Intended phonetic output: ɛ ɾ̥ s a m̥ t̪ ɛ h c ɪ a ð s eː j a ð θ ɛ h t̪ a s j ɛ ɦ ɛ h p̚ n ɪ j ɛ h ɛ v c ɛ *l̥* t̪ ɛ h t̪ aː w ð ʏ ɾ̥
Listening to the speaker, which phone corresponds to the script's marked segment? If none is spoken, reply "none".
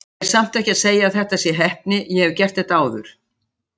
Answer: r̥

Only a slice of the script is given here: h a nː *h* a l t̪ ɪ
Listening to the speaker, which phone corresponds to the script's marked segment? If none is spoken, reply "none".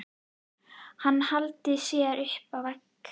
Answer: h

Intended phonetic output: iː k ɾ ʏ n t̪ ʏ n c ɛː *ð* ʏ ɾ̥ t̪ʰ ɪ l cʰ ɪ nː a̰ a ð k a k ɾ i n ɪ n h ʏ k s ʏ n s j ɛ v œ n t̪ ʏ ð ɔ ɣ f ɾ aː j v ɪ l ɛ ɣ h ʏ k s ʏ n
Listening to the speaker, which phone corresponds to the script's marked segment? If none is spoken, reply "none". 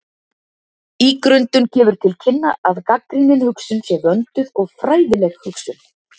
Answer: v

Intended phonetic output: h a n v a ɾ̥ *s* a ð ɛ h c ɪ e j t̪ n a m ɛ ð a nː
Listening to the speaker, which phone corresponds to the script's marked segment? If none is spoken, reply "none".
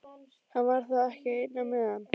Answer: θ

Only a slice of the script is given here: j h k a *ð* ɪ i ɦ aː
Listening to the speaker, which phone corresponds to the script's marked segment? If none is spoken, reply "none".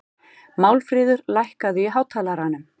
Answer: ð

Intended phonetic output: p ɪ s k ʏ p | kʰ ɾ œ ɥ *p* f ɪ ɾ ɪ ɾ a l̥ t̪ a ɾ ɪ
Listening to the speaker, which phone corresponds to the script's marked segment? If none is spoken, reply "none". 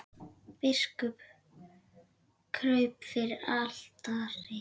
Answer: p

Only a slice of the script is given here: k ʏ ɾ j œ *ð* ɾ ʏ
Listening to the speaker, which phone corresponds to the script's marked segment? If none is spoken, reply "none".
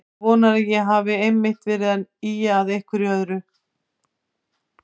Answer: ð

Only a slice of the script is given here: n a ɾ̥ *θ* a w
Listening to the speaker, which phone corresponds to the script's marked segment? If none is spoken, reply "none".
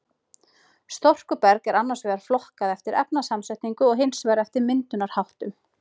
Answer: h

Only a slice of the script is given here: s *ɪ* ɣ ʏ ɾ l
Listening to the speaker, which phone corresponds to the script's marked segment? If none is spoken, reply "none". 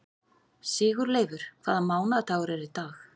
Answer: ɪː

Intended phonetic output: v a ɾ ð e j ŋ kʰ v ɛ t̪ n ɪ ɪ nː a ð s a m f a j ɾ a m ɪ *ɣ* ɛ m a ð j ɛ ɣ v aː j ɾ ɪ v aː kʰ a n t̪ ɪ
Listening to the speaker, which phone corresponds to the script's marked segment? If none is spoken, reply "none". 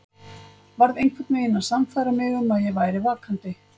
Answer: ɣ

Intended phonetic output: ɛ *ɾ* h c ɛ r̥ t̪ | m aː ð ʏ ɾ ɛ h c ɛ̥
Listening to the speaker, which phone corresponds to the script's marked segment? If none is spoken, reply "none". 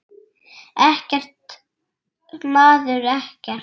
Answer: none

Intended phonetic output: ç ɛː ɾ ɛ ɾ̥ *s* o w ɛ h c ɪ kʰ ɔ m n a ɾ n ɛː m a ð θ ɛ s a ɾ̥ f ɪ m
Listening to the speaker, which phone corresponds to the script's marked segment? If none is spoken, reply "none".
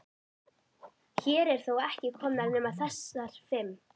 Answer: θ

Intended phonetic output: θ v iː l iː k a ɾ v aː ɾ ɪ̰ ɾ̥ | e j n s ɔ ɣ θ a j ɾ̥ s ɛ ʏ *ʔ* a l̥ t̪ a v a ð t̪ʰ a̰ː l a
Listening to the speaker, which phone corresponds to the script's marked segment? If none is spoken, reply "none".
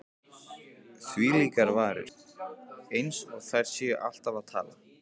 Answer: ʔ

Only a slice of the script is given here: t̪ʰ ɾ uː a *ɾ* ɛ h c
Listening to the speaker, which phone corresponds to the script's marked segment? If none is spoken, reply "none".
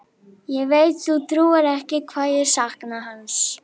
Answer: ɾ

